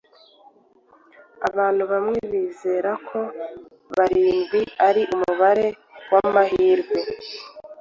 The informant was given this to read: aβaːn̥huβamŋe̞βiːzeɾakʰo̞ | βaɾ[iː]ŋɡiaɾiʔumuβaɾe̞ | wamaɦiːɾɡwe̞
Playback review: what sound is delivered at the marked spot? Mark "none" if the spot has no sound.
iː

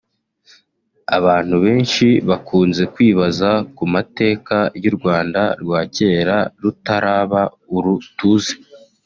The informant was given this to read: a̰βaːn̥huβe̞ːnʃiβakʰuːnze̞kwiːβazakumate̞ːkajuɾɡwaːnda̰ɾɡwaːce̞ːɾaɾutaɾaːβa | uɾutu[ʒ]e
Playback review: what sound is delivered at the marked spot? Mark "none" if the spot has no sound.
z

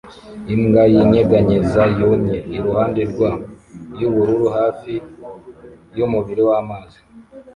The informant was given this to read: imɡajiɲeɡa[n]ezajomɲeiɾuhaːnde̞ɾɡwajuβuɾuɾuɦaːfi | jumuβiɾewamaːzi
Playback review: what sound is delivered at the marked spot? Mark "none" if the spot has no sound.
ɲ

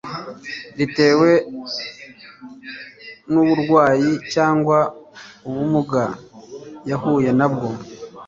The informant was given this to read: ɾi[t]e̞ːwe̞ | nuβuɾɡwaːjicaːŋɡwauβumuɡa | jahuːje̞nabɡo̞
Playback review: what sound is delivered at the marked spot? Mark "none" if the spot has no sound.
t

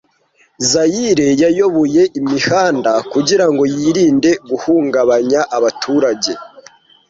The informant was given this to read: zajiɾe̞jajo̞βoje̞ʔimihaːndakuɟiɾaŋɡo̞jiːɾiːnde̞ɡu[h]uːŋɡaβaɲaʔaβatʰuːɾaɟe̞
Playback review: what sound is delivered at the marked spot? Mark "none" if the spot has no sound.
h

